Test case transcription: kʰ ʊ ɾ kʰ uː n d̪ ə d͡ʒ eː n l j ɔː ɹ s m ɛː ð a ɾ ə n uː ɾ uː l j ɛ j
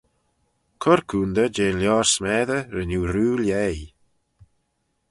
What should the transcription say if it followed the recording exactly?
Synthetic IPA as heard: kʰ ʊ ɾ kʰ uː n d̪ ə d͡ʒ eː n l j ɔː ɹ s m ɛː ð ə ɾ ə n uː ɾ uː l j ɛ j